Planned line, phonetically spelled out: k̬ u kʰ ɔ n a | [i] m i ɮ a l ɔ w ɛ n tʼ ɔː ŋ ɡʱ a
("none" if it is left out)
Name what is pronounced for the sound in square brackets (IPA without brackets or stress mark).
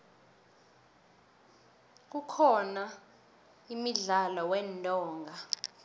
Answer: i